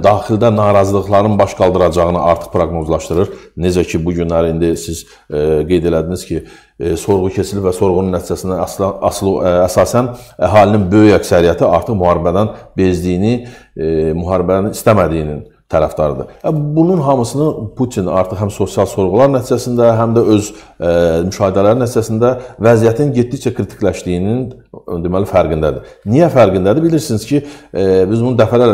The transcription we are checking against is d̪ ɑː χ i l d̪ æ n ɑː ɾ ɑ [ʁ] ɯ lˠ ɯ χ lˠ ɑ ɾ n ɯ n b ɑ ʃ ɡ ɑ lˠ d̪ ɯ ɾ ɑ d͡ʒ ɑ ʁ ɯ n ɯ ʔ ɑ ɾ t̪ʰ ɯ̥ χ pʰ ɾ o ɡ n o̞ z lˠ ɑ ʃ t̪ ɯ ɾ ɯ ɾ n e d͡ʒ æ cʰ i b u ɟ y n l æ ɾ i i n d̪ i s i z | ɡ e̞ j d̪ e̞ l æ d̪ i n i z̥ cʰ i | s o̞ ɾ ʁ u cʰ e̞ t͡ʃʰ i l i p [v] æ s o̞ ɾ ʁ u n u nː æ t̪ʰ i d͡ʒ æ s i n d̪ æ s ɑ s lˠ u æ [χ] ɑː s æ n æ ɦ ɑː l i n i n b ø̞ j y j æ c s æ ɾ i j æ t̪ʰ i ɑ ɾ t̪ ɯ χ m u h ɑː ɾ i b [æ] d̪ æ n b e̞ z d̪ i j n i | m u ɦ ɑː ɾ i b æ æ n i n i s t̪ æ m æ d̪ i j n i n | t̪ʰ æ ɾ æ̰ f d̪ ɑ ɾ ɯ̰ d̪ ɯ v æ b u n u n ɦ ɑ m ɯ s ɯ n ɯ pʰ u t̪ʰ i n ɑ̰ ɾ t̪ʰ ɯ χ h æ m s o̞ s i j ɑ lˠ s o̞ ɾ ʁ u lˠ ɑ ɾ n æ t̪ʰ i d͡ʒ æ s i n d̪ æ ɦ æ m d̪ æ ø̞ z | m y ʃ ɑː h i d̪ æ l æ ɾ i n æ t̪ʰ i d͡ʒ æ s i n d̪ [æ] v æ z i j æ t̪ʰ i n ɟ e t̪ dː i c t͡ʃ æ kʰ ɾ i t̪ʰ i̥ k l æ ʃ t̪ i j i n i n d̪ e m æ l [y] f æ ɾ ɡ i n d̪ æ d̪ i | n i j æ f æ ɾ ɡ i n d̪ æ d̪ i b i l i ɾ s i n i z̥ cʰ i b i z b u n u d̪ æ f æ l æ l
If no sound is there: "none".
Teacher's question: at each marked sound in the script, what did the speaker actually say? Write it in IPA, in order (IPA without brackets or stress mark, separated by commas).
z, v, s, æ, æ, i